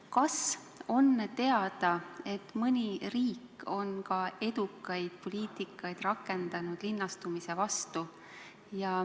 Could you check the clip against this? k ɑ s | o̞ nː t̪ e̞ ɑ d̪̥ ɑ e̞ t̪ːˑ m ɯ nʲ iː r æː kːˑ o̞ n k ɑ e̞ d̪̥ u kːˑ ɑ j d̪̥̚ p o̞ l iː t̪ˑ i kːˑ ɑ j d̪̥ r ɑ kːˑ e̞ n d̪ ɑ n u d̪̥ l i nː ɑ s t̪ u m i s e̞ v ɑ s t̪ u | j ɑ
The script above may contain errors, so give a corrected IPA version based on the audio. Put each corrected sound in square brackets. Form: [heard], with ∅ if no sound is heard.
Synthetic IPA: k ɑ s | o̞ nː t̪ e̞ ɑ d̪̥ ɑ e̞ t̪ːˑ m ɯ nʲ [i] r [iː] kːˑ o̞ n k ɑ e̞ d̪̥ u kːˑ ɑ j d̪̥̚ p o̞ l iː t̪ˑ i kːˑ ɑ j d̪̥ r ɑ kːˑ e̞ n d̪ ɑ n u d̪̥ l i nː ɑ s t̪ u m i s e̞ v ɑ s t̪ u | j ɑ